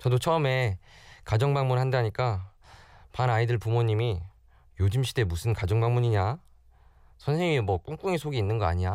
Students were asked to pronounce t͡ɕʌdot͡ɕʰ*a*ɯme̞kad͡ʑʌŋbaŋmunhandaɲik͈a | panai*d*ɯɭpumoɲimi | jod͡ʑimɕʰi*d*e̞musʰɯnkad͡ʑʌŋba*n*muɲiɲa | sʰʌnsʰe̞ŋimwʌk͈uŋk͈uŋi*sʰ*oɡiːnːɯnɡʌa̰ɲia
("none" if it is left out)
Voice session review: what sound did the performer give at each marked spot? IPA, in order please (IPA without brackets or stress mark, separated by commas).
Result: ʌ, d, d, ŋ, sʰ